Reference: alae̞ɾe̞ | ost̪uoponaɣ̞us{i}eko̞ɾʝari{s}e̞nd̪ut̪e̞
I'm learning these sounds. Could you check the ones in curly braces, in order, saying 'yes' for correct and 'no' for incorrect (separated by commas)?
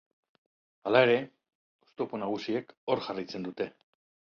yes, no